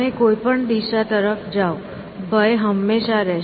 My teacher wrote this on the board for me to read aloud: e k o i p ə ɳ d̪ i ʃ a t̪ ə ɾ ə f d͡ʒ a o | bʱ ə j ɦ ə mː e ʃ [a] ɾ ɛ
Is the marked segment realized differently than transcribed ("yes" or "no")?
no